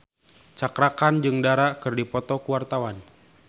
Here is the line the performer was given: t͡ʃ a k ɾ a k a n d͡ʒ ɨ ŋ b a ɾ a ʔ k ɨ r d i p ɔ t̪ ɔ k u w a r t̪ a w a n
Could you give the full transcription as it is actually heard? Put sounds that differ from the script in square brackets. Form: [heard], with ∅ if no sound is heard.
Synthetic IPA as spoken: t͡ʃ a k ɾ a k a n d͡ʒ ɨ ŋ [d] a ɾ a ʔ k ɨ r d i p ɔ t̪ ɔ k u w a r t̪ a w a n